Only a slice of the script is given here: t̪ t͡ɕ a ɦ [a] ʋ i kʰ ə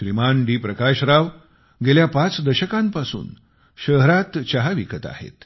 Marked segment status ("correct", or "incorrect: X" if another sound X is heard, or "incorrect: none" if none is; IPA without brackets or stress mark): correct